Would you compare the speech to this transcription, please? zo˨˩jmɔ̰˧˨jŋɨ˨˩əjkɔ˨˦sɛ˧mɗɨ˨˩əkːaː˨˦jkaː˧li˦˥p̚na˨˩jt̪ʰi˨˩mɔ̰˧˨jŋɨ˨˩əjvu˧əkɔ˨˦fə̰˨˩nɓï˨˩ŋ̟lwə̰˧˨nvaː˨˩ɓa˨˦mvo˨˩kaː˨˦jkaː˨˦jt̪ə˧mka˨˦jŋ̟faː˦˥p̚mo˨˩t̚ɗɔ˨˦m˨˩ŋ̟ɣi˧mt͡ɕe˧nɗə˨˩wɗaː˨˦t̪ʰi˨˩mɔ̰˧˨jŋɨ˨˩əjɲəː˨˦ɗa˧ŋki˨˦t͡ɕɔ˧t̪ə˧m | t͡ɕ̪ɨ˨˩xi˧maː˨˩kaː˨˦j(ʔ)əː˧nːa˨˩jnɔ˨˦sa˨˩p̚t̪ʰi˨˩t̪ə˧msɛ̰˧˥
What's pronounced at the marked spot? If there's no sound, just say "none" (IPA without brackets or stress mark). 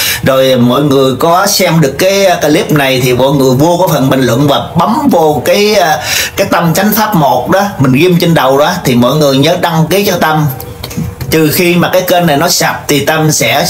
k